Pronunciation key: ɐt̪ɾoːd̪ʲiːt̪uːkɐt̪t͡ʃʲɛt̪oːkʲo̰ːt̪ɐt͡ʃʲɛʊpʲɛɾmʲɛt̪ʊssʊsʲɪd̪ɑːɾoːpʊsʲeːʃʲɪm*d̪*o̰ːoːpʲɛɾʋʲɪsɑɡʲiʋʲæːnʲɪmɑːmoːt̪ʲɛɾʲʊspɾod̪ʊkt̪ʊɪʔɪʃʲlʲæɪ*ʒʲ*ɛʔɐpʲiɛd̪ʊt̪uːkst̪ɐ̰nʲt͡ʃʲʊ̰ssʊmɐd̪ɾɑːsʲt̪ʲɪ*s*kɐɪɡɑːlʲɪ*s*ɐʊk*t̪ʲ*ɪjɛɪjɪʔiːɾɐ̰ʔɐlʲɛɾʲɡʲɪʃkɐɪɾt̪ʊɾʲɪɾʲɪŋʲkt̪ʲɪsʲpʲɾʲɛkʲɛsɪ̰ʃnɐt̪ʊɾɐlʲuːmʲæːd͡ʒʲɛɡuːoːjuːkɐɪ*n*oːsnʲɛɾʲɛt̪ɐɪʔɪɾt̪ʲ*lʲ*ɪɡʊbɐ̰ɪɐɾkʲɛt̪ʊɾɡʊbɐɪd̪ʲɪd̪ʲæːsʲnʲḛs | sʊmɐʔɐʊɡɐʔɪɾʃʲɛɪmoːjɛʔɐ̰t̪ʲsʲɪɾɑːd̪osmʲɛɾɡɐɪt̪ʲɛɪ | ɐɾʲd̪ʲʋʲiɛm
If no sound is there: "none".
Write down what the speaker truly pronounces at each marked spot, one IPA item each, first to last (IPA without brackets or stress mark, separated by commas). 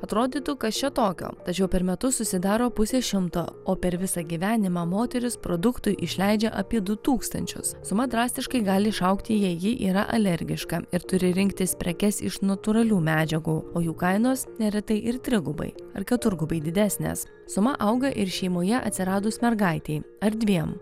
t̪, d͡ʒʲ, ʃ, ʃ, t̪ʲ, n, ɾʲ